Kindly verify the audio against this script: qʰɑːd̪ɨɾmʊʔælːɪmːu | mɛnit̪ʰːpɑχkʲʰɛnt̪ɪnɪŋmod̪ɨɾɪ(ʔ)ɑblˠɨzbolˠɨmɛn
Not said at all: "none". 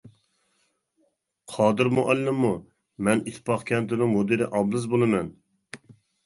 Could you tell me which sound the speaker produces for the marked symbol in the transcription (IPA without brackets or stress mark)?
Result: ʔ